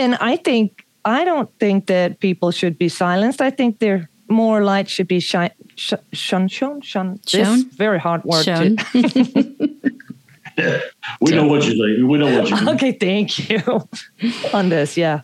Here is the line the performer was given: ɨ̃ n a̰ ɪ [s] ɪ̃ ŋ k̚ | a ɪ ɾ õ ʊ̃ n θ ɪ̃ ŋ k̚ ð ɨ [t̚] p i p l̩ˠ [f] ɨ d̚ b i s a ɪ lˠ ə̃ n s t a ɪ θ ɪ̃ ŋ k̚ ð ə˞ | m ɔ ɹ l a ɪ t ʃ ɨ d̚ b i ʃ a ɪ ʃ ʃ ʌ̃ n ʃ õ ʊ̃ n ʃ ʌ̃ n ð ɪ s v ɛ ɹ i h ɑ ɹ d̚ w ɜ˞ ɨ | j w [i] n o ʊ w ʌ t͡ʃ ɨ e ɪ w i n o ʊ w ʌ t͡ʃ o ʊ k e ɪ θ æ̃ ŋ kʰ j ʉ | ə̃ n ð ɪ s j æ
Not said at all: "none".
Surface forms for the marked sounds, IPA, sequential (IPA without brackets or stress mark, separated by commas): θ, t̚, ʃ, i